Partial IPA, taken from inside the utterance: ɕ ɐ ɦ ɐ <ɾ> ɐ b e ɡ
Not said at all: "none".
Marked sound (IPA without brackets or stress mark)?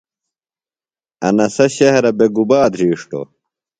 ɾ